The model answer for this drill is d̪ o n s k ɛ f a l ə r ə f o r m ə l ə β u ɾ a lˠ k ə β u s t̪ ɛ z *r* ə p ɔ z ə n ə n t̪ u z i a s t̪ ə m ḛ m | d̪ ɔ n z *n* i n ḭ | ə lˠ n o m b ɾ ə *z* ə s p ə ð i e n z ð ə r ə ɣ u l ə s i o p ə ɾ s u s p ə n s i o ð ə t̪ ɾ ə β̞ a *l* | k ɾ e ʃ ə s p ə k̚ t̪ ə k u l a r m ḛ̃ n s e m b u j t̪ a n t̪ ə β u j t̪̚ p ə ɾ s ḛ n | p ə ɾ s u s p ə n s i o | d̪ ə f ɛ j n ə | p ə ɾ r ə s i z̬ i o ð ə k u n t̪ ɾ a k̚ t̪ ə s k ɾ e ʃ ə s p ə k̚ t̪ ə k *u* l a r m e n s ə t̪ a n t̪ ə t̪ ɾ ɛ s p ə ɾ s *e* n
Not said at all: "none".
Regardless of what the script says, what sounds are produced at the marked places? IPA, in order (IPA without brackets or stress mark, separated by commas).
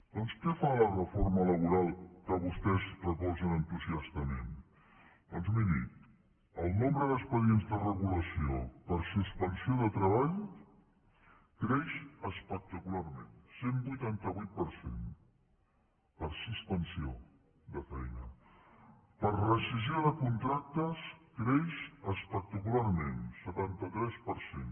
r, m, ð, ʎ, u, e